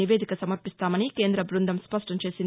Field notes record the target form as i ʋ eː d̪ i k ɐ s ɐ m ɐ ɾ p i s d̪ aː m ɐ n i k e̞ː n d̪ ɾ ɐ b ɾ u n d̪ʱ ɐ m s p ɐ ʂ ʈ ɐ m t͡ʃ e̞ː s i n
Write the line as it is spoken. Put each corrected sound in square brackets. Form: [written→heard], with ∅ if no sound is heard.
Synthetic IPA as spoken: i ʋ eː d̪ i k ɐ s ɐ m ɐ ɾ p i s [d̪→t̪] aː m ɐ n i k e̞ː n d̪ ɾ ɐ b ɾ u n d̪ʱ ɐ m s p ɐ ʂ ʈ ɐ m t͡ʃ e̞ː s i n